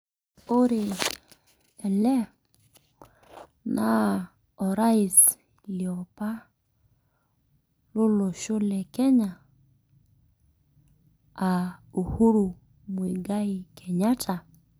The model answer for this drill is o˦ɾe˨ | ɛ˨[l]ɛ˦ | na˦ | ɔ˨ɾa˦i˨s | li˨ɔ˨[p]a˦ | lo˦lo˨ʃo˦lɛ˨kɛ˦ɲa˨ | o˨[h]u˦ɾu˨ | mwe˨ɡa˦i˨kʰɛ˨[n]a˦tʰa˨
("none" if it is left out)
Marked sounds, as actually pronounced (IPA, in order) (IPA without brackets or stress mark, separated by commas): l, p, h, ɲ